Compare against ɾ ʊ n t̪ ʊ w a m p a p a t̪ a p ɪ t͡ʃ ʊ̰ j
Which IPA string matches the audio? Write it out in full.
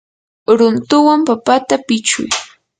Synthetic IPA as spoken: ɾ ʊ n t̪ ʊ w a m p a p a t̪ a p ɪ t͡ʃ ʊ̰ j